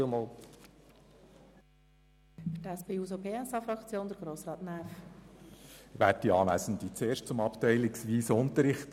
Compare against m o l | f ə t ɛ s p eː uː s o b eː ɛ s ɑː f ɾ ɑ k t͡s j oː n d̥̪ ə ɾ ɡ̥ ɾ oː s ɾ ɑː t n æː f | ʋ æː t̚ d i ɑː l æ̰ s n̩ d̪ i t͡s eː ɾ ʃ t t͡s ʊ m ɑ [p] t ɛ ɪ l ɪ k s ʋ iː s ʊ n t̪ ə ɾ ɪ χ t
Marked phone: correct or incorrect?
correct